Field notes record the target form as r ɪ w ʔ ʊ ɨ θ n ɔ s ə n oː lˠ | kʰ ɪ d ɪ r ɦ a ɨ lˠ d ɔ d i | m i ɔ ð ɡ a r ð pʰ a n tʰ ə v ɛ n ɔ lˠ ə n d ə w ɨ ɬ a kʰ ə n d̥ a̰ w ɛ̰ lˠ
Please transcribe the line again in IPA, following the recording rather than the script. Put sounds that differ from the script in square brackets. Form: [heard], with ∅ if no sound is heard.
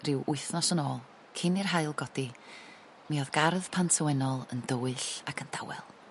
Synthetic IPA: r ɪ w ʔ ʊ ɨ θ n ɔ s ə n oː lˠ | kʰ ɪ [n] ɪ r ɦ a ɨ lˠ [ɡ] ɔ d i | m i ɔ ð ɡ a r ð pʰ a n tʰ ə [w] ɛ n ɔ lˠ ə n d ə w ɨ ɬ a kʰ ə n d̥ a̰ w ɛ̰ lˠ